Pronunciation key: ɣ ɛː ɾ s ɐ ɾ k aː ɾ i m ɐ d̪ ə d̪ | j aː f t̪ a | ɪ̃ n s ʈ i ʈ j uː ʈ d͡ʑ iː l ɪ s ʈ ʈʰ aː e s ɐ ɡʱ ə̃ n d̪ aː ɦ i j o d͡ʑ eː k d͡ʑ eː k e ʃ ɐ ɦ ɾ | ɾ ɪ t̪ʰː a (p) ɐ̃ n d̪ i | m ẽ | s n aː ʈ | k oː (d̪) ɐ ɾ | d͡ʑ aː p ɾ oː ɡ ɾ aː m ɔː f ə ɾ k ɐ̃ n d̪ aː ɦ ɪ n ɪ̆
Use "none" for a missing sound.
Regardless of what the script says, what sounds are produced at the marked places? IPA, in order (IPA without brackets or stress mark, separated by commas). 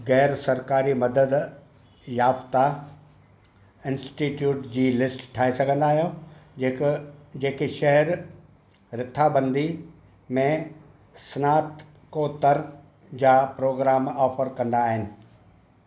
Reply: b, t̪